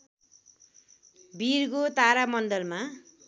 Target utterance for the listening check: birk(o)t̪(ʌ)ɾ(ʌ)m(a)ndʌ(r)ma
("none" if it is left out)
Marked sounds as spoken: o, a, a, ʌ, l

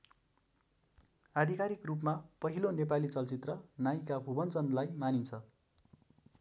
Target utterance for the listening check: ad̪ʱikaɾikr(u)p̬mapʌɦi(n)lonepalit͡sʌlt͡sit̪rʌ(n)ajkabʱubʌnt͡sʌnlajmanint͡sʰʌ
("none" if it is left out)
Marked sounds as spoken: u, none, n

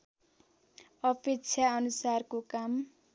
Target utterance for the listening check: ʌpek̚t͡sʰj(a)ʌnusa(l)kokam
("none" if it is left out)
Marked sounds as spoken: a, r

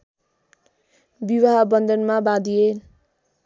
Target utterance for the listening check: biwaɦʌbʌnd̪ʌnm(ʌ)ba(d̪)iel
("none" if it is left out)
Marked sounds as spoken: a, d̪

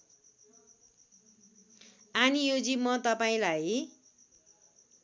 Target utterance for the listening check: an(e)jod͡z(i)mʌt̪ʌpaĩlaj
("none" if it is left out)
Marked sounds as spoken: i, i

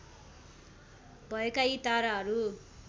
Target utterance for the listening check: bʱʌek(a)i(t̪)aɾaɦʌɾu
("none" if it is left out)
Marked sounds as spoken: a, t̪

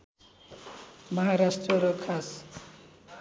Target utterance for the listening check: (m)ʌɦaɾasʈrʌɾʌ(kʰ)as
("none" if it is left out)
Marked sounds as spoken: m, kʰ

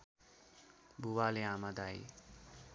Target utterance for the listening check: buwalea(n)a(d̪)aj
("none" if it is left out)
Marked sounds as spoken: m, d̪

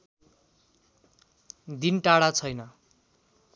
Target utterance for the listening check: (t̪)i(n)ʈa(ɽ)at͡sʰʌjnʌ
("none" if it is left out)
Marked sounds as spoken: d̪, n, ɽ

